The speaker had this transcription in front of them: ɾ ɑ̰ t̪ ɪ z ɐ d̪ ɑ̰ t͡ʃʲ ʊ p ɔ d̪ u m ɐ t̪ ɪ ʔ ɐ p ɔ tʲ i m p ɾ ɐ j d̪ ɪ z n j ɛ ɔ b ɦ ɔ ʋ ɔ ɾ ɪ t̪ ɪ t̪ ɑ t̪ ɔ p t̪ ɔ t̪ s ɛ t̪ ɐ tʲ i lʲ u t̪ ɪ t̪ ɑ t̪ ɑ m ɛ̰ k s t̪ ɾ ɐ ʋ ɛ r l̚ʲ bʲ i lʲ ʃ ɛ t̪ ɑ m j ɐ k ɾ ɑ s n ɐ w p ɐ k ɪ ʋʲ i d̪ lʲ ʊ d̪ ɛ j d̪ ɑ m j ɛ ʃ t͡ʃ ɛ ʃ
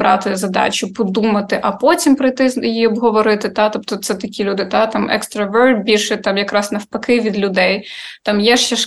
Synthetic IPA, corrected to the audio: ɾ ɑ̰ t̪ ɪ z ɐ d̪ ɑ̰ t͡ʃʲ ʊ p ɔ d̪ u m ɐ t̪ ɪ ʔ ɐ p ɔ tʲ i m p ɾ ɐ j t̪ ɪ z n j i ɔ b ɦ ɔ ʋ ɔ ɾ ɪ t̪ ɪ t̪ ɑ t̪ ɔ p t̪ ɔ t̪ s ɛ t̪ ɐ kʲ i lʲ u d̪ ɪ t̪ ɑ t̪ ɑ m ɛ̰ k s t̪ ɾ ɐ ʋ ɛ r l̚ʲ bʲ i lʲ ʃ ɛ t̪ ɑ m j ɐ k ɾ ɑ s n ɐ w p ɐ k ɪ ʋʲ i d̪ lʲ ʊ d̪ ɛ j t̪ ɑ m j ɛ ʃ t͡ʃ ɛ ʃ